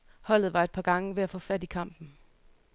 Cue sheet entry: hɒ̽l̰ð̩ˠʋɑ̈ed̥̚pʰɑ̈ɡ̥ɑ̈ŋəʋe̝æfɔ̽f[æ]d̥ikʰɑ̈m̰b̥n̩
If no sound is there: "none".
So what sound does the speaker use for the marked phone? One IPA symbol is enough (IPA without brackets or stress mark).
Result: æ